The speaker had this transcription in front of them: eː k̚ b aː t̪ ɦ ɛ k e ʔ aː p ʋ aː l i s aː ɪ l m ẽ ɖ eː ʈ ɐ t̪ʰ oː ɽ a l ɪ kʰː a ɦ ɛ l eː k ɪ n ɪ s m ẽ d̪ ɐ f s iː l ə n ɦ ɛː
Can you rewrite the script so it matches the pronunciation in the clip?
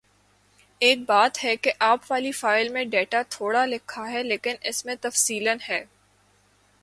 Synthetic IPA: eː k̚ b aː t̪ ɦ ɛ k e ʔ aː p ʋ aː l i f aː ɪ l m ẽ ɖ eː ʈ a t̪ʰ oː ɽ a l ɪ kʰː a ɦ ɛ l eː k ɪ n ɪ s m ẽ t̪ ɐ f s iː l ə n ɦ ɛː